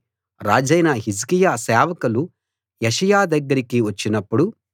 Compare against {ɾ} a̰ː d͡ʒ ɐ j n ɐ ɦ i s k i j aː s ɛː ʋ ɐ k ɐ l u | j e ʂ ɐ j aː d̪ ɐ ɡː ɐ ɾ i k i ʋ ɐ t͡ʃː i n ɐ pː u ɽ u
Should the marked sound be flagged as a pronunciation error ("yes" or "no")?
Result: no